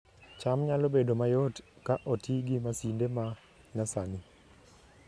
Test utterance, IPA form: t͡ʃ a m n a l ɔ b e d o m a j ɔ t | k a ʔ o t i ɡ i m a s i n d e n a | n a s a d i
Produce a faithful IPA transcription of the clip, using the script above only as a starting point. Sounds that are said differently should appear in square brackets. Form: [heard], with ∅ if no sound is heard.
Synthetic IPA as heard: t͡ʃ a m [ɲ] a l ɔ b e d o m a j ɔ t | k a ʔ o t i ɡ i m a s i n d e [m] a | n a s a [n] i